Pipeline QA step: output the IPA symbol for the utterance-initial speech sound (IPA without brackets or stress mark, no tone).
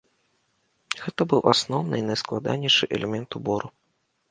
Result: ɣ